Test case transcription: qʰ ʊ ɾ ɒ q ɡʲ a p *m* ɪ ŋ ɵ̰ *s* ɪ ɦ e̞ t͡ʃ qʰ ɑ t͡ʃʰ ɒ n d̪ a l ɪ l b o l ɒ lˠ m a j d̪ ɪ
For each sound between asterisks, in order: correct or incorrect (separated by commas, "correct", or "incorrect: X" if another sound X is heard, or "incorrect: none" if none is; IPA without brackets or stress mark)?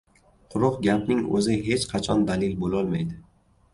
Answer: incorrect: n, incorrect: z